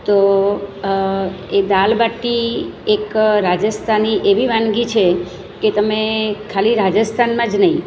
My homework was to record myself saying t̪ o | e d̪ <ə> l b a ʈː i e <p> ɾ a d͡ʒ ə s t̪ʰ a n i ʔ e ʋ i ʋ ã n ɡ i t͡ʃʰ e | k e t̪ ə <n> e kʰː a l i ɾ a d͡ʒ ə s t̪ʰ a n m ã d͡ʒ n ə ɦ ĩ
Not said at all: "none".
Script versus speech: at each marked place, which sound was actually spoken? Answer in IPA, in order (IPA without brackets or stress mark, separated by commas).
a, k, m